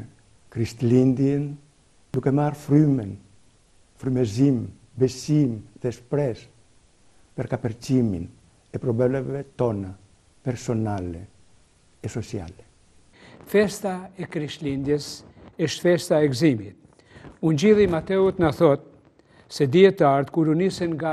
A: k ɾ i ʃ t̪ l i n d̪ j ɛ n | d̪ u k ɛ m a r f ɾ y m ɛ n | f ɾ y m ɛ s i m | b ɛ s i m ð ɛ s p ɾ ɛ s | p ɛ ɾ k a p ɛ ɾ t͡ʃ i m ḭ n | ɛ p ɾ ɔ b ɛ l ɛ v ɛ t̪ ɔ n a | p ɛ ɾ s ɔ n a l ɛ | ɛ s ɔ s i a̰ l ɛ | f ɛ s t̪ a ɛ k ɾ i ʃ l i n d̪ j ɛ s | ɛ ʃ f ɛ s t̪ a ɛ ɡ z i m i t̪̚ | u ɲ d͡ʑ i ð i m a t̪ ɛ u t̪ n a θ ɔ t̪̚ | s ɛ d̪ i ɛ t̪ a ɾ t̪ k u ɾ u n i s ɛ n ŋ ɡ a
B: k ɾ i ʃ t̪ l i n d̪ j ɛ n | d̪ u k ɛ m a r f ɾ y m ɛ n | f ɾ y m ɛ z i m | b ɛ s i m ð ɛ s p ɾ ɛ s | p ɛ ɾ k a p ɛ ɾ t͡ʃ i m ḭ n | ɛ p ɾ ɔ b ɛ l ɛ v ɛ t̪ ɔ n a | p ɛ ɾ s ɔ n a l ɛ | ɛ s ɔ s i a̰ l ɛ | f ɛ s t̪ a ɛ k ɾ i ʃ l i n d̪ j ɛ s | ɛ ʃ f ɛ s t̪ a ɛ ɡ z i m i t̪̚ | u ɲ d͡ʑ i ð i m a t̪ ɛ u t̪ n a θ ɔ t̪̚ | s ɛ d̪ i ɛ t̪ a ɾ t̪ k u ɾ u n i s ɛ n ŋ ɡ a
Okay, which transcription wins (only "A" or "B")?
B